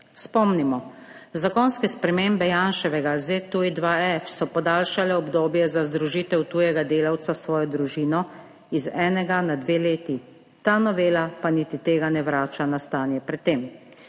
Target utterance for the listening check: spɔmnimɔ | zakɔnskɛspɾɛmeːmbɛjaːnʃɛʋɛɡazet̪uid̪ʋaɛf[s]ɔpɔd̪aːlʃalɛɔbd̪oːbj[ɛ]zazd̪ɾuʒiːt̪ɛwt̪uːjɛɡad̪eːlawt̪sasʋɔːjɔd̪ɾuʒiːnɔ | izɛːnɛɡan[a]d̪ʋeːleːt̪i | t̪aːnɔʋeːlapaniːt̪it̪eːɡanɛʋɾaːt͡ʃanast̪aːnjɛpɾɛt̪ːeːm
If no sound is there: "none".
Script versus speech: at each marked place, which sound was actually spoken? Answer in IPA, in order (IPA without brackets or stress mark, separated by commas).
s, ɛ, a